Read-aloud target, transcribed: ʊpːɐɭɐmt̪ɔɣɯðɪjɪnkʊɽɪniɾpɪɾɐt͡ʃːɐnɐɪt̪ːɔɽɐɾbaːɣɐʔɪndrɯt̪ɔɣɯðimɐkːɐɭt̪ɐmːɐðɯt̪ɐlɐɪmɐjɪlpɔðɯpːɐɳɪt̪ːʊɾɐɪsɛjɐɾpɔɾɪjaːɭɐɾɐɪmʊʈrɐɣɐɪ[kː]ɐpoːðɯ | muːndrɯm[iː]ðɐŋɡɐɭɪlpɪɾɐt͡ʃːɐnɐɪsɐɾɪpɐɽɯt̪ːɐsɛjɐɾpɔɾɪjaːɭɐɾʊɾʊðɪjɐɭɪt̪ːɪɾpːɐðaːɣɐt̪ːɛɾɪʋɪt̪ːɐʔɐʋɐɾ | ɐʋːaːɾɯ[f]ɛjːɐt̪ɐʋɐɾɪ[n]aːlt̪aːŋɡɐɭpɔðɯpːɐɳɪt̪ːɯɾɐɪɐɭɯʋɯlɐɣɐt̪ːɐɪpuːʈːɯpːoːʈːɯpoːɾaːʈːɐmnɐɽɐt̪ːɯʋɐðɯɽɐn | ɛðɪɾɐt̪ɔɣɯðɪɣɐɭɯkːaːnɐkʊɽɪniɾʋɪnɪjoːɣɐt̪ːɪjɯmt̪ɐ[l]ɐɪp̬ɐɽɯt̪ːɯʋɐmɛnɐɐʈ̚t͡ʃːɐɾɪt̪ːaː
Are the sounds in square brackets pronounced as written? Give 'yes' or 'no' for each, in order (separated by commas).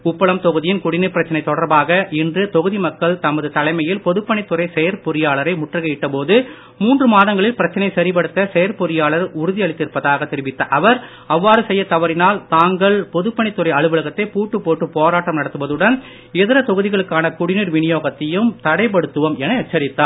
no, no, no, yes, no